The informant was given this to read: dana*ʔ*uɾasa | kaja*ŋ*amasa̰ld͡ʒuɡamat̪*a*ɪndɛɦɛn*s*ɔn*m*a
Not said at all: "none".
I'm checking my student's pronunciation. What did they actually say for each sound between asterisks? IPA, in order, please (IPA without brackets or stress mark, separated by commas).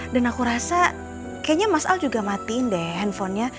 k, ɲ, i, f, ɲ